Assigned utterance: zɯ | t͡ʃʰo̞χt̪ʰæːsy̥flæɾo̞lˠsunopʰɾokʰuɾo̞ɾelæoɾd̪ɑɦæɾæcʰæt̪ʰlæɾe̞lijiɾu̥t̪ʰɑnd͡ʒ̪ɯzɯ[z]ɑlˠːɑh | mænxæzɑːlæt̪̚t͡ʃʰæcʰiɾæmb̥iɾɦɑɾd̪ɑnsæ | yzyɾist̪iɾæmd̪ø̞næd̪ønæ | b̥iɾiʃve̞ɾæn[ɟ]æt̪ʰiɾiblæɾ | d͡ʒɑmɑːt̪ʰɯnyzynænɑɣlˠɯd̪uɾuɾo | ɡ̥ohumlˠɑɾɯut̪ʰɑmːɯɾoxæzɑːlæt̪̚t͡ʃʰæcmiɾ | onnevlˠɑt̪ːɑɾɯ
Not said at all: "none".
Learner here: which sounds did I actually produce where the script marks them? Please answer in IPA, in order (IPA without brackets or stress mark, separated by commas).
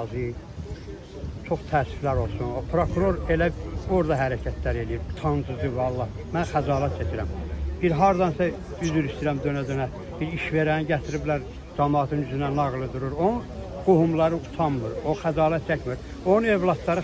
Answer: v, ɟ